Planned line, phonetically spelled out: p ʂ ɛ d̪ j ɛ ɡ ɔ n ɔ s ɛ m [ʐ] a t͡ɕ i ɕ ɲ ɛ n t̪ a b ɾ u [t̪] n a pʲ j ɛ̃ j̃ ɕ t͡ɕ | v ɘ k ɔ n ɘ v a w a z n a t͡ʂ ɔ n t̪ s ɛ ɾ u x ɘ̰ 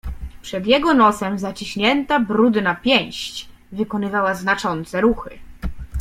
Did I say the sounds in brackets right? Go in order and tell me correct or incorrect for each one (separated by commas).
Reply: incorrect, incorrect